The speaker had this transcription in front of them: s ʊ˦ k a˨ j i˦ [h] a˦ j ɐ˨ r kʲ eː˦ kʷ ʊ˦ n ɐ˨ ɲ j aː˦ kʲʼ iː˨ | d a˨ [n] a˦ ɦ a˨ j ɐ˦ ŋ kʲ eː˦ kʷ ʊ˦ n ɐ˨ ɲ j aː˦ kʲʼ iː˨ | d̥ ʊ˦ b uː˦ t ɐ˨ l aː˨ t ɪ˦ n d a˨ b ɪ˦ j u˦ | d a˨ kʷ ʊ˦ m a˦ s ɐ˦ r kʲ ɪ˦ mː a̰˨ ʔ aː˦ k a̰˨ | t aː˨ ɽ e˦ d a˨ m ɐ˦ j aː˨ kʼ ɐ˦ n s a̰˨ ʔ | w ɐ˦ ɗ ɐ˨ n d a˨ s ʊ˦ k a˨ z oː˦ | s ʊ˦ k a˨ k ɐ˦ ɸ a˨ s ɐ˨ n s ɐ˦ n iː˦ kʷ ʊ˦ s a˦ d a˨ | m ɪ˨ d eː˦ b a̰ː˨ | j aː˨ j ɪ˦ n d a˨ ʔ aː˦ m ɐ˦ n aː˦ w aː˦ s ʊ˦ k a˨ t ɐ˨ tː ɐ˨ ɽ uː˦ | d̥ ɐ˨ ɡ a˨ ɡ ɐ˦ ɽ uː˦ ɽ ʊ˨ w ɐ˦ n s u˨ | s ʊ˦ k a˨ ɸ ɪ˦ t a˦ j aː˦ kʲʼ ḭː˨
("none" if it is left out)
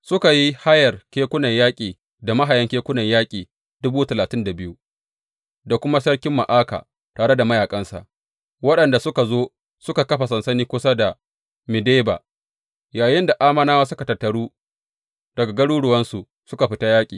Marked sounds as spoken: h, m

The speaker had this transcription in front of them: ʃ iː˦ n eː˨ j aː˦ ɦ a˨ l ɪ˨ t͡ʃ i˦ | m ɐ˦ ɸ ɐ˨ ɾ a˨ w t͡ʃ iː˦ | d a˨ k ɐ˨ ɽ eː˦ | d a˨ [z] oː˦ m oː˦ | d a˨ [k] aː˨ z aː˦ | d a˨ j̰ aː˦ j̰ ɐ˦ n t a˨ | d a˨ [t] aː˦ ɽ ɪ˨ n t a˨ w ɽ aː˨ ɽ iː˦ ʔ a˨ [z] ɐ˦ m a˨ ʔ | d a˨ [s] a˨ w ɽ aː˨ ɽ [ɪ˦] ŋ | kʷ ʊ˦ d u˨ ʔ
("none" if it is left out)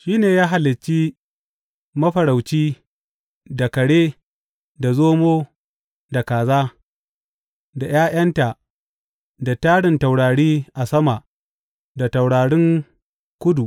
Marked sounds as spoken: z, k, t, s, t, ɪ˦

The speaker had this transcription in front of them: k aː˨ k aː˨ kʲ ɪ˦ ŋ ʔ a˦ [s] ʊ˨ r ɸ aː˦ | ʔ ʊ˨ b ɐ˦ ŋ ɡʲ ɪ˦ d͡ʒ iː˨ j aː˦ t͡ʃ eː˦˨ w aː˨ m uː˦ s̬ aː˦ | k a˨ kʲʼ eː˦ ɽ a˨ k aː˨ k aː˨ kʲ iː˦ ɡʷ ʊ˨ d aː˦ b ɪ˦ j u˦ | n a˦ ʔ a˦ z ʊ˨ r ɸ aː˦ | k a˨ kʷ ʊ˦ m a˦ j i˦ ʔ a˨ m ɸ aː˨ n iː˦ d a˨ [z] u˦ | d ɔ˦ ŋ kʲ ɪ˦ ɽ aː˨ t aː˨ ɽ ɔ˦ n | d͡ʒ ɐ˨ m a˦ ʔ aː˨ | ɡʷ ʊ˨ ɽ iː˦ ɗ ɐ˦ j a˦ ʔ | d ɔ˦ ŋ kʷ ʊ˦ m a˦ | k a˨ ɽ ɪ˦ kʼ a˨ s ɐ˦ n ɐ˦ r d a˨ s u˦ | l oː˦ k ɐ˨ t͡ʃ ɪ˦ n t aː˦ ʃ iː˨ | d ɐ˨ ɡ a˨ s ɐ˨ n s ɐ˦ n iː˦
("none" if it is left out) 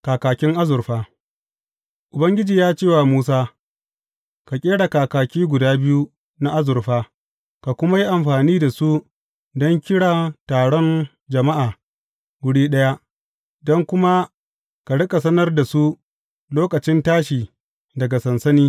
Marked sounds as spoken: z, s

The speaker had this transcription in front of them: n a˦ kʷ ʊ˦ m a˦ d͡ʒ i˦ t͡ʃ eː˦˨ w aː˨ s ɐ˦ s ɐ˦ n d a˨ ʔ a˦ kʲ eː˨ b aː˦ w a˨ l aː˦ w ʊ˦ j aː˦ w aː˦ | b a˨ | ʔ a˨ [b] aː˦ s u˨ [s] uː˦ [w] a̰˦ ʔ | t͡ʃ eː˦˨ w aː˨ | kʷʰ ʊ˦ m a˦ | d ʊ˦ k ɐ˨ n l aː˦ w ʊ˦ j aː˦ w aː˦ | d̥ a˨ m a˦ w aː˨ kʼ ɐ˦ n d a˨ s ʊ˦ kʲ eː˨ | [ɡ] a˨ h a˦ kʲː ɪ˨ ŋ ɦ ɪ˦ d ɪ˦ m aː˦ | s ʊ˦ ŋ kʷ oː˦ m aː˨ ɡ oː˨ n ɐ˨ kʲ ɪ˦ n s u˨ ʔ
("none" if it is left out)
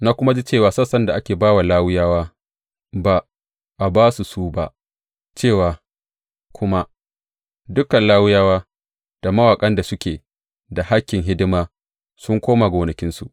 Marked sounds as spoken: b, s, b, d

